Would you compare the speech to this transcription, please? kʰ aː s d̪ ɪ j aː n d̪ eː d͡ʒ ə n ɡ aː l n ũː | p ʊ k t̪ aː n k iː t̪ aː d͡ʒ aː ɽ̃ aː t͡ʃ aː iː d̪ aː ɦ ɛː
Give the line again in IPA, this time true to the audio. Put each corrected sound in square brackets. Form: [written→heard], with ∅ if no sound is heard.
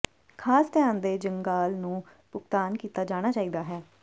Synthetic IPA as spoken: kʰ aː s [d̪→t̪] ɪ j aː n d̪ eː d͡ʒ ə [n→ŋ] ɡ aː l n ũː | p ʊ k t̪ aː n k iː t̪ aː d͡ʒ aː ɽ̃ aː t͡ʃ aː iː d̪ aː ɦ ɛː